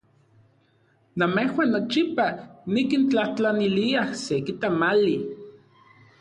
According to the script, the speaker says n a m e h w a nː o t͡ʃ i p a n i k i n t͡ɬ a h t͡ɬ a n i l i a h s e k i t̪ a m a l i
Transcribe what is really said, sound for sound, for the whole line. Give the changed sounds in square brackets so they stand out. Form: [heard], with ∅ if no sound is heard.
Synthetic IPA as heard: n a m e h w a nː o t͡ʃ i p a n i k i n t͡ɬ a h t͡ɬ a n i l i a h s e k i t̪ a m a l i